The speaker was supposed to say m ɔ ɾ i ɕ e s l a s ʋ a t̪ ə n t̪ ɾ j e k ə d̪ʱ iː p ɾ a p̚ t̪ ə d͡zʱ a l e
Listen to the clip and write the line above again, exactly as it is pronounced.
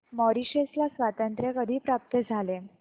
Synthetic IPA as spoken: m ɔ ɾ i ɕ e s l a s ʋ a t̪ ə n t̪ ɾ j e k ə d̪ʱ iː p ɾ a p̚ t̪ ə d͡zʱ a l e